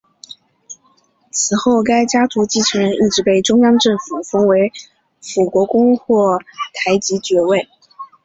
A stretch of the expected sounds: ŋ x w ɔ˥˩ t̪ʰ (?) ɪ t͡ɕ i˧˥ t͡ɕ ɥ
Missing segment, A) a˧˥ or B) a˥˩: A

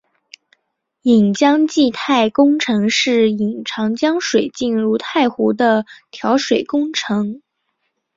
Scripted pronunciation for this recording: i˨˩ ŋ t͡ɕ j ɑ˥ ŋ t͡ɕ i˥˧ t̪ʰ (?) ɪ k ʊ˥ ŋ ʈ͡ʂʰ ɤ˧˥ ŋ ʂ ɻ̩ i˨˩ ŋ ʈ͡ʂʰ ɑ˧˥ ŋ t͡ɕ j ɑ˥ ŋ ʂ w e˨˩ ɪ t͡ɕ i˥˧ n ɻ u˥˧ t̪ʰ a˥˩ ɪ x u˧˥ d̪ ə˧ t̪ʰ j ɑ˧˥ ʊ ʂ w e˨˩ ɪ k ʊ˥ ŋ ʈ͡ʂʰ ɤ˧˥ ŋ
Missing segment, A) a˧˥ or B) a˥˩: B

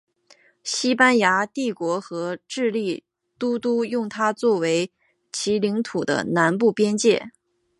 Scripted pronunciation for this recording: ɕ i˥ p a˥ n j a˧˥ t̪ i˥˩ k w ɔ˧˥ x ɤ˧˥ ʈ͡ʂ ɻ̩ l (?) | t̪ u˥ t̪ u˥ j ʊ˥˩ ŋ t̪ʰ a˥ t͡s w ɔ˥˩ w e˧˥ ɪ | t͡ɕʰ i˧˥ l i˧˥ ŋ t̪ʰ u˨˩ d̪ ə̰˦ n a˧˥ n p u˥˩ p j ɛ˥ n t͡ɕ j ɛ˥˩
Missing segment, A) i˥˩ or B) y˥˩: A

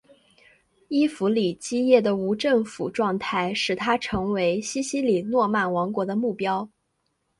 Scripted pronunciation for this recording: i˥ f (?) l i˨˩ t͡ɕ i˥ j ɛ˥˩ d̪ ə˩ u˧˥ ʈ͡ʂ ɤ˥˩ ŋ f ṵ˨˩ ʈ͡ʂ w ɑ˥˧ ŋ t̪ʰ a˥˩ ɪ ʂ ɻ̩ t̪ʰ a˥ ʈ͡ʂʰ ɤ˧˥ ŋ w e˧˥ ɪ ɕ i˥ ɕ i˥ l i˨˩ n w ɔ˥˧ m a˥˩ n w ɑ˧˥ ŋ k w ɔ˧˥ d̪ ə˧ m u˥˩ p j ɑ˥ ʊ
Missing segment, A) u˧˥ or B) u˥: A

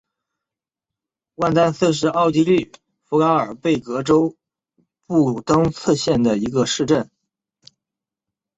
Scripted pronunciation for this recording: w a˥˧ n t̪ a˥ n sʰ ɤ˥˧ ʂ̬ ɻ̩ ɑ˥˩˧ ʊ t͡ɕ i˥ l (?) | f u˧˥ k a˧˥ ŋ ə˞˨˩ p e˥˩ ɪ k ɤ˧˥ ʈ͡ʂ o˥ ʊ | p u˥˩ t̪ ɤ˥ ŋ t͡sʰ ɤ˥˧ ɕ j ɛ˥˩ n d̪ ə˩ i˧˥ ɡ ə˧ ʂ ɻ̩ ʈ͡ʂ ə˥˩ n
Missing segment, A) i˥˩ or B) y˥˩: B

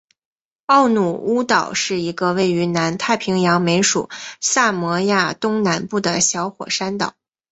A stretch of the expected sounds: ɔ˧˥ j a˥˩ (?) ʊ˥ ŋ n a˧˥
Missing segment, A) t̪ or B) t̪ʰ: A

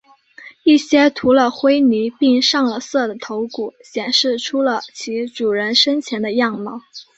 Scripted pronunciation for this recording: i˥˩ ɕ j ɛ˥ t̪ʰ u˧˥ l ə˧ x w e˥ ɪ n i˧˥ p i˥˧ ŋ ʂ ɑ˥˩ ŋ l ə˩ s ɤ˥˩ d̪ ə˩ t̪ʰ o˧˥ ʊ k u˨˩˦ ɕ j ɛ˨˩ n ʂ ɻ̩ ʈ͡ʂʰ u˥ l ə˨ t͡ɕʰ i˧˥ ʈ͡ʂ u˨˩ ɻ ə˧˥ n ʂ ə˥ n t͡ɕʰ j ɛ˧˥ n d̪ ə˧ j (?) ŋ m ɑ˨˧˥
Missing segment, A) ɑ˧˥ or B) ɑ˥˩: B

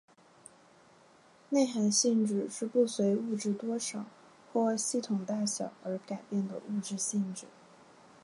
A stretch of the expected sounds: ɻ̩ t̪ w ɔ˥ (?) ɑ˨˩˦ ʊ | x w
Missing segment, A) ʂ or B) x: A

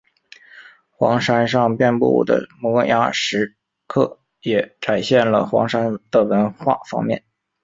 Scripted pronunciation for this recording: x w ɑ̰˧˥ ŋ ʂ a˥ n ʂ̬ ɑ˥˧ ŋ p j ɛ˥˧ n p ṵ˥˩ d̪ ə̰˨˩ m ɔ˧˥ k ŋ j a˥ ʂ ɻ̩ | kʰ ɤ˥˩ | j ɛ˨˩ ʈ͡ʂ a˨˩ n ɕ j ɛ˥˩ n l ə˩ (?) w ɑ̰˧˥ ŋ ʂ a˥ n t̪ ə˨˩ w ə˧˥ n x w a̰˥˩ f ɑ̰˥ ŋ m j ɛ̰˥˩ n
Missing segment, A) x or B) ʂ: A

